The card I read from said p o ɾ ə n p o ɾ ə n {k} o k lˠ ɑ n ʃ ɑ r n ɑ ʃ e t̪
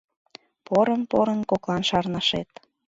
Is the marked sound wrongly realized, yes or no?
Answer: no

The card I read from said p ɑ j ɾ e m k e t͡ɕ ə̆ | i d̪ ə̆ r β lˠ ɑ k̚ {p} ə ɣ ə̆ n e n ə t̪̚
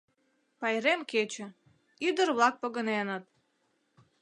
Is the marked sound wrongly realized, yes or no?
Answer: no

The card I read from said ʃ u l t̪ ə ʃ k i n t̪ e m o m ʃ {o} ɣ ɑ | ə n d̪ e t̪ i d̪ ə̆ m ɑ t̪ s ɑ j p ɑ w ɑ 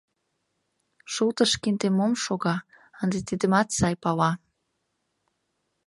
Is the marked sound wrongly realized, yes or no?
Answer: no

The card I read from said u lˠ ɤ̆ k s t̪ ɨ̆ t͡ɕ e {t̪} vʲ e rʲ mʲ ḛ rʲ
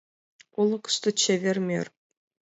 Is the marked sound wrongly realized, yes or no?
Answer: yes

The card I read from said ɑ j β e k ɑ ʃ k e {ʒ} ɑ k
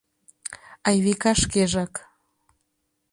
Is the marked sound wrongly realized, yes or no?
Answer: no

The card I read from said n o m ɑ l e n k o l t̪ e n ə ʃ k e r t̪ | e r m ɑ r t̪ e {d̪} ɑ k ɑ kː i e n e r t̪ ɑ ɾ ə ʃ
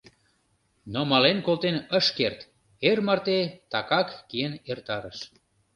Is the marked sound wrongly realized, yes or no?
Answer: yes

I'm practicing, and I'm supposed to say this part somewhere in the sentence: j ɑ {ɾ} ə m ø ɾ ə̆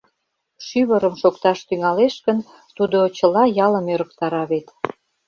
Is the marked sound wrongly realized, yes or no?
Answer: yes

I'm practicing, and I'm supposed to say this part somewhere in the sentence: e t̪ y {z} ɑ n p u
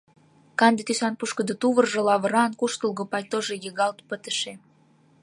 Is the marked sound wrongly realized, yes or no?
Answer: yes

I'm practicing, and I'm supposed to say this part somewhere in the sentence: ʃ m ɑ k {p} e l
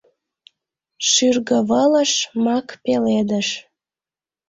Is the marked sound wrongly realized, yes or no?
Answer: no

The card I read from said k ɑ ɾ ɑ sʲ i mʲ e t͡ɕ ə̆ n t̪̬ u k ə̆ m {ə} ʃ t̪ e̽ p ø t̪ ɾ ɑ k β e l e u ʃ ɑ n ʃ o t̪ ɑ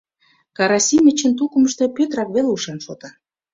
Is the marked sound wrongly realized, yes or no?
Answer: no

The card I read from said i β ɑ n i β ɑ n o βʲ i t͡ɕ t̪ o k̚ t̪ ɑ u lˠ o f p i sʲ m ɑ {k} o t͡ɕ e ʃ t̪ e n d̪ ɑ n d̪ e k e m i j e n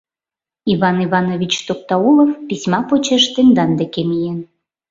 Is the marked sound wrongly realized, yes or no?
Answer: yes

